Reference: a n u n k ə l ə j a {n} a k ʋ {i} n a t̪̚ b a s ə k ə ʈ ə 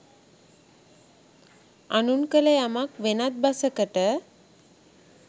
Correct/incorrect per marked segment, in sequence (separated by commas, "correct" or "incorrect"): incorrect, incorrect